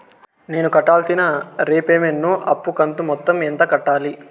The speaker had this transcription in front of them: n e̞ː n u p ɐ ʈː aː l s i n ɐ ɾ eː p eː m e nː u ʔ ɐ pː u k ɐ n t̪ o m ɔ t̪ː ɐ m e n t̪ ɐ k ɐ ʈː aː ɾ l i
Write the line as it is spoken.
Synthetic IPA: n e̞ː n u k ɐ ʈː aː l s i n ɐ ɾ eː p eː m e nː u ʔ ɐ pː u k ɐ n t̪ u m ɔ t̪ː ɐ m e n t̪ ɐ k ɐ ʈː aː l i